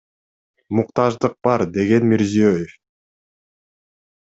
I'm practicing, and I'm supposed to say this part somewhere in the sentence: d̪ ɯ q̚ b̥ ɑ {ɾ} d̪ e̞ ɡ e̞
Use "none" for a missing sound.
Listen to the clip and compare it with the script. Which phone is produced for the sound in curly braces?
ɾ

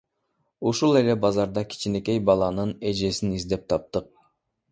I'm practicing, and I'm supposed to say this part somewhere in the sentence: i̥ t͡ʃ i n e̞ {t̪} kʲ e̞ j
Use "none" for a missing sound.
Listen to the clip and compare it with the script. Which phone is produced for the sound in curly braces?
none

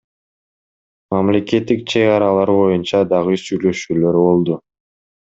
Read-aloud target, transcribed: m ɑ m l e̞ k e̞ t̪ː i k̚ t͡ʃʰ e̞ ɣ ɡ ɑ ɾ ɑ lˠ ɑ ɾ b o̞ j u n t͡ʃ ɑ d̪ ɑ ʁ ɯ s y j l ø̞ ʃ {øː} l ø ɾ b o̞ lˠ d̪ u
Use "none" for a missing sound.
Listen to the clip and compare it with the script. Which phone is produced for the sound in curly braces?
yː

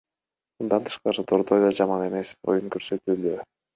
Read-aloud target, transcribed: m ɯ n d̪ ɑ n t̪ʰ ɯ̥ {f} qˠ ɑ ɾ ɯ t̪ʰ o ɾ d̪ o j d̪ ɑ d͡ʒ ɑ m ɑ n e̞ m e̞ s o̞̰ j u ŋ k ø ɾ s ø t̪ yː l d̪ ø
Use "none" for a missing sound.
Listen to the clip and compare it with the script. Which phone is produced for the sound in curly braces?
ʃ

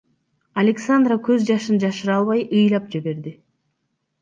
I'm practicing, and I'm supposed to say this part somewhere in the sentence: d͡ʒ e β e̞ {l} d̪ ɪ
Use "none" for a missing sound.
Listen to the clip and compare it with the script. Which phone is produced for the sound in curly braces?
ɾ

